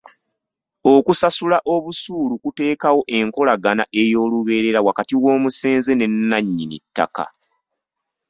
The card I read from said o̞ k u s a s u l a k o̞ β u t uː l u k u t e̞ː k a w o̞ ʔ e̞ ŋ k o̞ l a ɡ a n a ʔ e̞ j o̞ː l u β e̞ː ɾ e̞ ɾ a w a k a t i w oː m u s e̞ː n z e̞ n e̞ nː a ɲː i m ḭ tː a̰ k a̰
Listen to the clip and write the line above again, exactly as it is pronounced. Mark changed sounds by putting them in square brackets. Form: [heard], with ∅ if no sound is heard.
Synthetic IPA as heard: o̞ k u s a s u l a [ʔ] o̞ β u [s] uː l u k u t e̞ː k a w o̞ ʔ e̞ ŋ k o̞ l a ɡ a n a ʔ e̞ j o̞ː l u β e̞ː ɾ e̞ ɾ a w a k a t i w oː m u s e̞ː n z e̞ n e̞ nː a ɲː i [n] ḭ tː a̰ k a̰